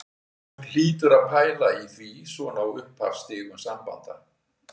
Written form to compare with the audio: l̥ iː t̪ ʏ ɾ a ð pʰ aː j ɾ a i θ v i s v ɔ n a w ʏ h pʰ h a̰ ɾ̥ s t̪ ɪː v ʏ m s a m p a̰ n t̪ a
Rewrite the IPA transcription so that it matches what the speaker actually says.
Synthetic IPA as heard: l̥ iː t̪ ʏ ɾ a ð pʰ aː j l a i θ v i s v ɔ n a w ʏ h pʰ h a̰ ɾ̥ s t̪ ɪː ɣ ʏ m s a m p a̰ n t̪ a

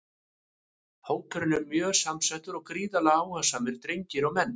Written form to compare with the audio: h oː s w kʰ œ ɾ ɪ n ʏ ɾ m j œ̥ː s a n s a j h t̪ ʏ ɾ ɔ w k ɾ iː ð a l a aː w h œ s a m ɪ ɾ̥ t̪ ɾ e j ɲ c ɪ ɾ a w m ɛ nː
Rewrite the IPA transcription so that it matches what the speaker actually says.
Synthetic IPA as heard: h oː w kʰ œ ɾ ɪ n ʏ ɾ m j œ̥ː s a m s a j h t̪ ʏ ɾ ɔ ɣ k ɾ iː ð a l a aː w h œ s a m ɪ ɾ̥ t̪ ɾ e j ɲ c ɪ ɾ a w m ɛ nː

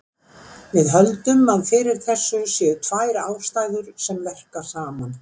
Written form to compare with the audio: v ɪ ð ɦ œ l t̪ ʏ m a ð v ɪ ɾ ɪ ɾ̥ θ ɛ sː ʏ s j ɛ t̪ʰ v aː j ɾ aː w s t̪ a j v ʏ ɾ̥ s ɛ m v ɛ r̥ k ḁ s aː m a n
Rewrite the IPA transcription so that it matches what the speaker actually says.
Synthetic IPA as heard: v ɪ ð ɦ œ l t̪ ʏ m a ð f ɪ ɾ ɪ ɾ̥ θ ɛ sː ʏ s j ɛ t̪ʰ v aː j ɾ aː w s t̪ a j ð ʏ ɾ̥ s ɛ m v ɛ r̥ k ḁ s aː m a n

